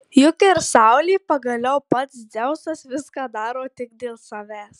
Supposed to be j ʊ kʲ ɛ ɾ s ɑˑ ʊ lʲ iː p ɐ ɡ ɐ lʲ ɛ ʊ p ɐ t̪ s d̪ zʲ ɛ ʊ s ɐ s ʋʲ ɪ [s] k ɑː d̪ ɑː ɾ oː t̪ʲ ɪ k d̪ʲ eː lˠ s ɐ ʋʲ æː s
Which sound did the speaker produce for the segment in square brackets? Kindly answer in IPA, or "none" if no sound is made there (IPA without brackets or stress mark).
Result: s